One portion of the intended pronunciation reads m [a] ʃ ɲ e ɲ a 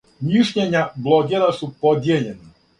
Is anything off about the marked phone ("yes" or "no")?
yes